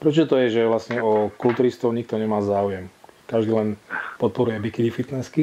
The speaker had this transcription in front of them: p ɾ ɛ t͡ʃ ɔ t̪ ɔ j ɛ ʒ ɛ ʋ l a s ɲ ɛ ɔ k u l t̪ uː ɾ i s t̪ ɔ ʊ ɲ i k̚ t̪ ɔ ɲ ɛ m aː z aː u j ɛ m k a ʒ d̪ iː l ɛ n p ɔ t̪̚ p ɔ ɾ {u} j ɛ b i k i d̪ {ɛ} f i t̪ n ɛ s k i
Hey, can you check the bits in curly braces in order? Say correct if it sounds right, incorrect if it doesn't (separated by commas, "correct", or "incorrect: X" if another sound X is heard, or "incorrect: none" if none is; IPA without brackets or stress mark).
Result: correct, incorrect: i